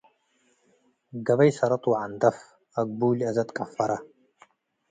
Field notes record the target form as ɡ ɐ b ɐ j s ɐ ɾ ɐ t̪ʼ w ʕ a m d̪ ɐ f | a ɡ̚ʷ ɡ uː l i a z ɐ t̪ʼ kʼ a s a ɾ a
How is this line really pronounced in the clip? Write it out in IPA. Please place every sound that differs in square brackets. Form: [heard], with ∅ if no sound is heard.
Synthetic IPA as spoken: ɡ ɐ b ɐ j s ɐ ɾ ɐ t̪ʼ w ʕ a [n] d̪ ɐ f | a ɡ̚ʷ [b] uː l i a z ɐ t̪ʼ kʼ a [f] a ɾ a